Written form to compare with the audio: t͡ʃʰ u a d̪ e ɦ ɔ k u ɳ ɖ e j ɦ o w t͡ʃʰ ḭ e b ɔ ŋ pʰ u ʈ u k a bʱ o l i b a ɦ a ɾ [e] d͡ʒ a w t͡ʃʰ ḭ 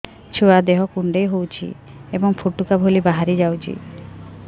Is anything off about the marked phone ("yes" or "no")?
yes